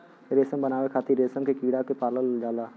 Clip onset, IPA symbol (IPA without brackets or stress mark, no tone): ɾ